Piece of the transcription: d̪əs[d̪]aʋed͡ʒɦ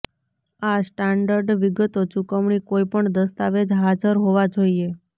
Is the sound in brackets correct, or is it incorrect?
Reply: incorrect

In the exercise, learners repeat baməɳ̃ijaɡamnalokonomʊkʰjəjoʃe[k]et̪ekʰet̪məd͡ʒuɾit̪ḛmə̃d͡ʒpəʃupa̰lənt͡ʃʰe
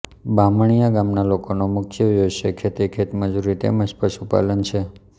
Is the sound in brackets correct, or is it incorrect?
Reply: incorrect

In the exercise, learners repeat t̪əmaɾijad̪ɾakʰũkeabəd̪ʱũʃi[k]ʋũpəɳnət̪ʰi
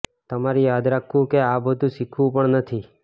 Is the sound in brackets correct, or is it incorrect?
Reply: incorrect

